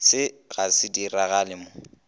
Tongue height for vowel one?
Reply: high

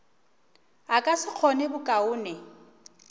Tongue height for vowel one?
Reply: low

